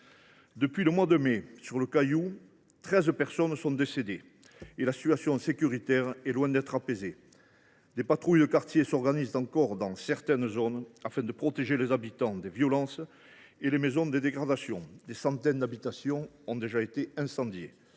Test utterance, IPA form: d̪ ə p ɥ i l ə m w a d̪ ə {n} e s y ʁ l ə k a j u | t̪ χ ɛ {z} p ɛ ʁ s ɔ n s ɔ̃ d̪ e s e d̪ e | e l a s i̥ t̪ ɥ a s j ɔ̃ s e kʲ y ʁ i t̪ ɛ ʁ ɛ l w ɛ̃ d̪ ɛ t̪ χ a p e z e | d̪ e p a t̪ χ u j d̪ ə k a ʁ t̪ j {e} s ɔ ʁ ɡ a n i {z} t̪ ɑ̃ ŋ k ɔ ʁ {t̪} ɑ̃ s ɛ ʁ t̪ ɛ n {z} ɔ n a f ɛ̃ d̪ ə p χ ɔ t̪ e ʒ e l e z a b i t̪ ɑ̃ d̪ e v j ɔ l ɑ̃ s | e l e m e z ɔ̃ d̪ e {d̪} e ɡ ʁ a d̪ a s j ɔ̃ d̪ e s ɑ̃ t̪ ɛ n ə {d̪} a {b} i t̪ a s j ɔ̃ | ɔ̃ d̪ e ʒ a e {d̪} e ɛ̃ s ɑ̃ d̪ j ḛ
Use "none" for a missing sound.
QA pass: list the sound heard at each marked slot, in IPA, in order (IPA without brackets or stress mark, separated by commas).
m, z, e, z, d̪, z, d̪, d̪, b, t̪